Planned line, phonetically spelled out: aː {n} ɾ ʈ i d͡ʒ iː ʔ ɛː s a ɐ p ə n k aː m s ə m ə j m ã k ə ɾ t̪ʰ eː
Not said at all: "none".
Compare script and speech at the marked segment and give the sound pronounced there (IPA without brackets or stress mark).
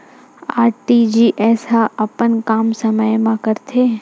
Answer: none